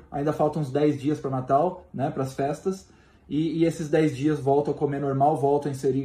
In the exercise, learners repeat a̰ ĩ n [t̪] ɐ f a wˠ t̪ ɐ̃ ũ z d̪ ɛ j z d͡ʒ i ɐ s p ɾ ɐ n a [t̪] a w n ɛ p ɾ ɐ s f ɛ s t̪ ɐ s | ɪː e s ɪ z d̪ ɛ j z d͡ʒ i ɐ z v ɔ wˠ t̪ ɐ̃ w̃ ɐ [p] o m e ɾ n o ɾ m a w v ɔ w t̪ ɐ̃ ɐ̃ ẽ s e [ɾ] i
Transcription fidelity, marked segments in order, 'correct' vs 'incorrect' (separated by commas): incorrect, correct, incorrect, correct